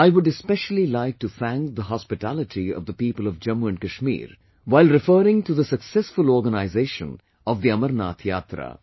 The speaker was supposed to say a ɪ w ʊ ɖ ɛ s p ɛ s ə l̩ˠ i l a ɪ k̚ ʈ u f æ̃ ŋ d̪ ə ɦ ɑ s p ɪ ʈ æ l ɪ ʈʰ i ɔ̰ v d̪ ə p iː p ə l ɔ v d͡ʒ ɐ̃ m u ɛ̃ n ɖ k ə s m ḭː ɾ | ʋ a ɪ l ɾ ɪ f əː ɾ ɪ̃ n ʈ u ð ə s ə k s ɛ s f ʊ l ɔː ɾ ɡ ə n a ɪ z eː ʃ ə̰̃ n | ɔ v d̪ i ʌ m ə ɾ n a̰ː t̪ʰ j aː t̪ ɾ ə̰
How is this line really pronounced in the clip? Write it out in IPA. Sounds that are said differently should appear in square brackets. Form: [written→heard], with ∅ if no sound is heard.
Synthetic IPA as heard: a ɪ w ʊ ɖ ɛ s p ɛ [s→ʃ] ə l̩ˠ i l a ɪ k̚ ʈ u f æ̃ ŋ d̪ ə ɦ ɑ s p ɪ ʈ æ l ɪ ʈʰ i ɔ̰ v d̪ ə p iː p ə l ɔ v d͡ʒ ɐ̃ m u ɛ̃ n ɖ k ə [s→ʃ] m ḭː ɾ | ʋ a ɪ l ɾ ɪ f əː ɾ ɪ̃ [n→ŋ] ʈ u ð ə s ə k s ɛ s f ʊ l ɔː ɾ ɡ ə n a ɪ z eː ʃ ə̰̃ n | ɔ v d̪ i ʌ m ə ɾ n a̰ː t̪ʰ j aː t̪ ɾ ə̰